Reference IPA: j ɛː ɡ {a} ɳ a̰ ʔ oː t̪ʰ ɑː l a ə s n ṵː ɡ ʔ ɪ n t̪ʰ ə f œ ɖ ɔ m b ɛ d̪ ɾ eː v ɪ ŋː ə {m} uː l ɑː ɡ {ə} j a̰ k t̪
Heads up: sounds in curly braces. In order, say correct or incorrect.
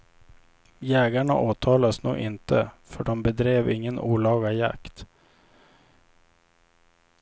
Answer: correct, incorrect, incorrect

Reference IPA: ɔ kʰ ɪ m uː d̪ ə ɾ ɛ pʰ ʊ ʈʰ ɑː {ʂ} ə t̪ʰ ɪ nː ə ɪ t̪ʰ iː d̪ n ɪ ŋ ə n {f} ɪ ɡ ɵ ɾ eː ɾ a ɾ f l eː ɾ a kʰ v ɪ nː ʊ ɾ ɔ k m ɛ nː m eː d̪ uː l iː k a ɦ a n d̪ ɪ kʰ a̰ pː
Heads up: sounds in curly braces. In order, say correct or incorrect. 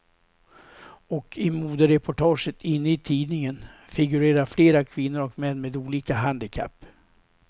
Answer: correct, correct

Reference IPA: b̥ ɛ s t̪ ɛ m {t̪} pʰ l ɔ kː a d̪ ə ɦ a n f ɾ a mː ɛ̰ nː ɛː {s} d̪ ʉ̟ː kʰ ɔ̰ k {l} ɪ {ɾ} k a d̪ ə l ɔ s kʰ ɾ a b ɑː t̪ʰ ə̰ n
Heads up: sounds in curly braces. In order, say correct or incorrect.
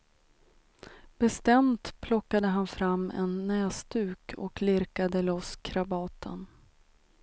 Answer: correct, correct, correct, correct

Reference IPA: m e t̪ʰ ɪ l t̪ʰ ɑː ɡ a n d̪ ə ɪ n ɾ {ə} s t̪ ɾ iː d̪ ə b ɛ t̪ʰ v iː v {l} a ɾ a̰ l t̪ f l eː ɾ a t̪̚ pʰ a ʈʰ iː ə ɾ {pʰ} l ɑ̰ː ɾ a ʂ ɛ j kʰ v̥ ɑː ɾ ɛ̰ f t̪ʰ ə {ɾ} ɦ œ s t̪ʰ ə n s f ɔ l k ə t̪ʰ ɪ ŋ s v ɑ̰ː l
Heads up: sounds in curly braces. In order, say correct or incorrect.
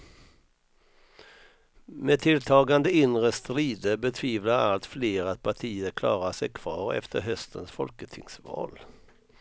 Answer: correct, correct, incorrect, correct

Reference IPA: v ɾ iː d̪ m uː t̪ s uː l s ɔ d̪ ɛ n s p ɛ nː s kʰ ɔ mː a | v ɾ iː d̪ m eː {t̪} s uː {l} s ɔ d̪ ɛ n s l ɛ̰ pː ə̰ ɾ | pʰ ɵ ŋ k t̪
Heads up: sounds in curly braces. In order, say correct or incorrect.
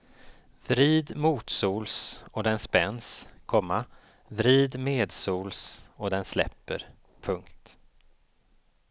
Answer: incorrect, correct

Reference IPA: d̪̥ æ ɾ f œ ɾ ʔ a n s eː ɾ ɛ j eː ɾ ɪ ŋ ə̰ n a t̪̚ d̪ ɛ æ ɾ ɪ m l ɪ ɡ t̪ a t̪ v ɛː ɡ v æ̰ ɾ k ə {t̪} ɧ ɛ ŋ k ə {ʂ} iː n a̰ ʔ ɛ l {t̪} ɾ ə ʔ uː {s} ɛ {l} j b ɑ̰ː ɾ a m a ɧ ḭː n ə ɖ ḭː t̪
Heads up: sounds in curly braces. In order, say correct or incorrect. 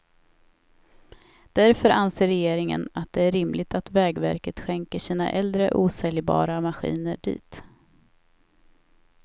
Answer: correct, correct, incorrect, correct, correct

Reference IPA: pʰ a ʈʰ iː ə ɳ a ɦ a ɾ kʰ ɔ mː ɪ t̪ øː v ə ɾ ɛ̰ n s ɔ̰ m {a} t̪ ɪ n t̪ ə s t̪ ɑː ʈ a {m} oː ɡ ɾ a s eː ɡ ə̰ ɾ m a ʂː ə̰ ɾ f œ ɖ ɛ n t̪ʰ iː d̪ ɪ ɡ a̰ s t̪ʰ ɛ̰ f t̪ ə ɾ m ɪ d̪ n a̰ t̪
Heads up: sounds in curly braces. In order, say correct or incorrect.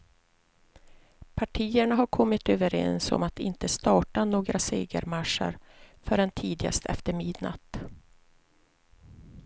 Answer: correct, incorrect

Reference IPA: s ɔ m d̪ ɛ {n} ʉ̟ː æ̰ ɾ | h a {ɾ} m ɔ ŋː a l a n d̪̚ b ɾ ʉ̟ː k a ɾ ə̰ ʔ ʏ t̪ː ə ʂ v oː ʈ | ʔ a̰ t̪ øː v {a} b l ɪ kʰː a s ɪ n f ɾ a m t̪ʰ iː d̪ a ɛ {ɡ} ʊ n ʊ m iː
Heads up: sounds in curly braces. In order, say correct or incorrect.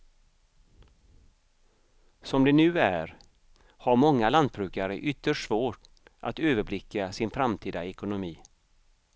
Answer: correct, correct, incorrect, incorrect

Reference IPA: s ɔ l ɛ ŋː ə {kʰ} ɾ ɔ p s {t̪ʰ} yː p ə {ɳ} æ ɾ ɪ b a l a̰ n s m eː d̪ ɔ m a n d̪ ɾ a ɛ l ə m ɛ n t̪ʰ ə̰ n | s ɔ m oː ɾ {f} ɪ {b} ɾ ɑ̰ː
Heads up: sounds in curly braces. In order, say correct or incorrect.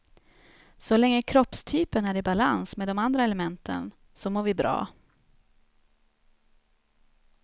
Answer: correct, correct, incorrect, incorrect, correct

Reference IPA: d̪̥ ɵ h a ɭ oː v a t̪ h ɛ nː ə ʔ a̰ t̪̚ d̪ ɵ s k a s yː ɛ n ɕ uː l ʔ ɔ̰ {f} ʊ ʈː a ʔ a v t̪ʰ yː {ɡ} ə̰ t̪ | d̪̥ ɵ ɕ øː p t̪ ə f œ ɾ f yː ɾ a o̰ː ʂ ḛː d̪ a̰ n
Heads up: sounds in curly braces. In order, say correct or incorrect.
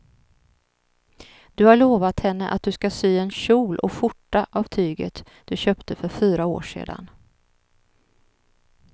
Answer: correct, correct

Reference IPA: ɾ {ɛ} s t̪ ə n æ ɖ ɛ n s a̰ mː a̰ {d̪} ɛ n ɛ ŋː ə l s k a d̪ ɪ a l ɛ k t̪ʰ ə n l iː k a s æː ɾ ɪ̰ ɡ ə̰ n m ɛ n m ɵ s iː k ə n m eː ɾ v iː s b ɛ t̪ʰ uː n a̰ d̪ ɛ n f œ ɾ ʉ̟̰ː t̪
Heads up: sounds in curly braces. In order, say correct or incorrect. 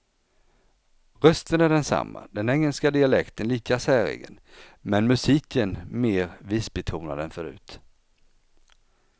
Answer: incorrect, correct

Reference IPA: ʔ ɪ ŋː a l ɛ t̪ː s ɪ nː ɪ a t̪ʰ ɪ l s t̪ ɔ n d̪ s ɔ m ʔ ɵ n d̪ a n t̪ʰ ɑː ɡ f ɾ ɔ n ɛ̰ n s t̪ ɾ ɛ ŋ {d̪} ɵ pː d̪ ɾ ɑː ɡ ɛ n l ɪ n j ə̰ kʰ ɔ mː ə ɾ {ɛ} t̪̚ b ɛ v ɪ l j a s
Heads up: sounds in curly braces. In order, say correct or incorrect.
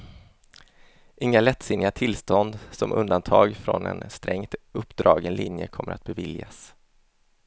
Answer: incorrect, incorrect

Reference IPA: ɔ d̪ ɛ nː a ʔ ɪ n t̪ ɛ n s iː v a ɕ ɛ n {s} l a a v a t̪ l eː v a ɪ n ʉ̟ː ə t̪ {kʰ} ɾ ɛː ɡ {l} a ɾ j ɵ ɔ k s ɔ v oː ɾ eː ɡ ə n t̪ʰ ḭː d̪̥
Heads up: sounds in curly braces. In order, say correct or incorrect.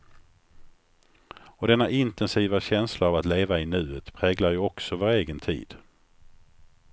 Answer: correct, incorrect, correct

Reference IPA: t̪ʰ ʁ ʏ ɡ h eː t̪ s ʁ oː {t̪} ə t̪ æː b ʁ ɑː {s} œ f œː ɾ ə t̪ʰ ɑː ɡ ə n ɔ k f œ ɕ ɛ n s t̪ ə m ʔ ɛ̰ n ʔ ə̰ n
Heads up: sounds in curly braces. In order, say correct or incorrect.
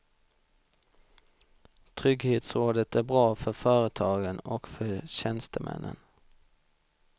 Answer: incorrect, incorrect

